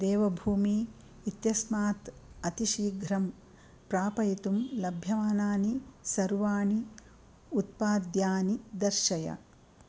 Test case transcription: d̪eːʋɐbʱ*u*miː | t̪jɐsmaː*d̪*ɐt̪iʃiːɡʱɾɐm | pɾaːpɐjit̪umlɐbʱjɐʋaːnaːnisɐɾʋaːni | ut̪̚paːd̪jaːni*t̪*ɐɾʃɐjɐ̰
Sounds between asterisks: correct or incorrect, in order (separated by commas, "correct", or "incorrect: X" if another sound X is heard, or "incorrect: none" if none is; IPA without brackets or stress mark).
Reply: incorrect: uː, incorrect: t̪, incorrect: d̪